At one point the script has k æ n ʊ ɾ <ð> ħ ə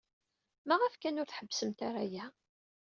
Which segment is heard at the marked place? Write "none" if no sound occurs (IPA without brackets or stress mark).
θ